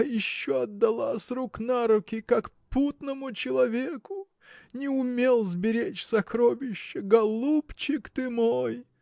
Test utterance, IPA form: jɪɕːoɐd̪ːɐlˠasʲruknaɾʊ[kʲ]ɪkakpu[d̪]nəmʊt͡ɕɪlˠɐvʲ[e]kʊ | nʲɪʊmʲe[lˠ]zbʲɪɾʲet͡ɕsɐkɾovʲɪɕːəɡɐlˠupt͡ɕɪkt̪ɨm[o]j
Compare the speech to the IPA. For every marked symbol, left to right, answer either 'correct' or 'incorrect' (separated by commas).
correct, incorrect, correct, correct, correct